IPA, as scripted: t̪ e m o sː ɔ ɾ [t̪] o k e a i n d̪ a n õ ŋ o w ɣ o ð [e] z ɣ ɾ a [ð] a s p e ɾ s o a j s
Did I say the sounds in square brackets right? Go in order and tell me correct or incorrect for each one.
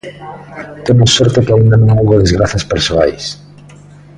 correct, correct, incorrect: θ

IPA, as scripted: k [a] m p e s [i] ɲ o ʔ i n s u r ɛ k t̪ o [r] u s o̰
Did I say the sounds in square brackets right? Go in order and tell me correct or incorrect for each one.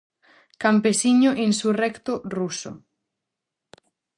correct, correct, correct

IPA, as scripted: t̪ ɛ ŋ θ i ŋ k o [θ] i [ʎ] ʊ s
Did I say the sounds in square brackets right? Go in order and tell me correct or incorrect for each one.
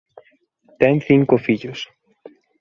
incorrect: f, correct

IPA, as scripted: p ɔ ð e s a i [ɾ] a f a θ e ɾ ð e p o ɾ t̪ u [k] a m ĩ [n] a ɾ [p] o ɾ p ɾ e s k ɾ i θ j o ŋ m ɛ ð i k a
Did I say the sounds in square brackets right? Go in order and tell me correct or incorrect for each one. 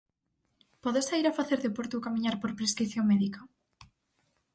correct, correct, incorrect: ɲ, correct

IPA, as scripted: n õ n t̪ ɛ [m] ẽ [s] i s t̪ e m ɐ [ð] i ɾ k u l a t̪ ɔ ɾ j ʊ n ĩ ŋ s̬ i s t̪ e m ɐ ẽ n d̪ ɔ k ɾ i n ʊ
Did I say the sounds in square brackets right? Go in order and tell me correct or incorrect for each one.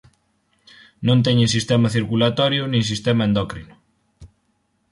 incorrect: ɲ, correct, incorrect: θ

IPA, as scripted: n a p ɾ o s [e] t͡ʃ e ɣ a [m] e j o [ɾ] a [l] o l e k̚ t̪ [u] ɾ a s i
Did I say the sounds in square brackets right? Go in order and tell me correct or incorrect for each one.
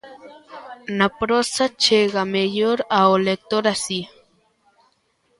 incorrect: a, correct, correct, incorrect: none, incorrect: o

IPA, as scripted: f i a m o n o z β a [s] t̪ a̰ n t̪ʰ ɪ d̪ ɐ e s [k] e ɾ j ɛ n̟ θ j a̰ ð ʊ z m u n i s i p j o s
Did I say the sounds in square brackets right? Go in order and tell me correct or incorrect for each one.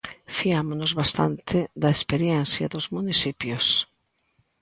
correct, incorrect: p

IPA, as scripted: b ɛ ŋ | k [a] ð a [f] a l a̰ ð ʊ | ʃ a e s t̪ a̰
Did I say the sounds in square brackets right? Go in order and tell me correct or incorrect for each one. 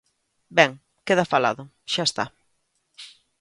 incorrect: e, correct

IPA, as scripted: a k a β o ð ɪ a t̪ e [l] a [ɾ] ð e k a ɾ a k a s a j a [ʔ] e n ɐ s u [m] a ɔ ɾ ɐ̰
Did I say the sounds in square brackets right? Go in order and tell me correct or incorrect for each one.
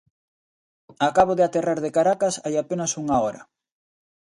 incorrect: r, correct, incorrect: p, incorrect: ŋ

